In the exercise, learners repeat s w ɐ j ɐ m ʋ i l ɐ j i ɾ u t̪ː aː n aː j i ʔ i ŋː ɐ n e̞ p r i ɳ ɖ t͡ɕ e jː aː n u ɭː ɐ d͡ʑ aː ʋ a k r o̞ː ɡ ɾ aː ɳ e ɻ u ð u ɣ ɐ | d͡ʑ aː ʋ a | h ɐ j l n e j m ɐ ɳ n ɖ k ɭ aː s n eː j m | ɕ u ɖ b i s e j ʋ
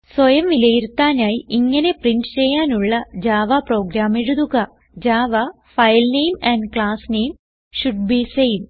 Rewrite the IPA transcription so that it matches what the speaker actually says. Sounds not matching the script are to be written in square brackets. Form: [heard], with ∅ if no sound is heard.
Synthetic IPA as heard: s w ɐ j ɐ m ʋ i l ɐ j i ɾ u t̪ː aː n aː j i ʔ i ŋː ɐ n e̞ p r i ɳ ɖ t͡ɕ e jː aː n u ɭː ɐ d͡ʑ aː ʋ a [p] r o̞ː ɡ ɾ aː [m] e ɻ u ð u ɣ ɐ | d͡ʑ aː ʋ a | [f] ɐ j l n e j m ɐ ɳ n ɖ k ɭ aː s n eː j m | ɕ u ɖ b i s e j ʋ

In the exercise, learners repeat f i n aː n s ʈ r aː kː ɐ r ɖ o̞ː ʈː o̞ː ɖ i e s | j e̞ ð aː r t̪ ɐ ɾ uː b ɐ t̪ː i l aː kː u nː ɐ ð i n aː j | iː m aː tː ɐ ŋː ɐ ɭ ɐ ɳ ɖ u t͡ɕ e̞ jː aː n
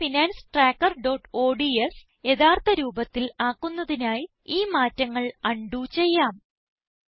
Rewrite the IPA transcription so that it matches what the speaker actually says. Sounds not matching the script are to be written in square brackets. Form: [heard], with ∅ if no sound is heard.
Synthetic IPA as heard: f i n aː n s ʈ r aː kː ɐ r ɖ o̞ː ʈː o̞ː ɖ i e s | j e̞ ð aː r t̪ ɐ ɾ uː b ɐ t̪ː i l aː kː u nː ɐ ð i n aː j | iː m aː tː ɐ ŋː ɐ ɭ ɐ ɳ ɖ u t͡ɕ e̞ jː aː [m]

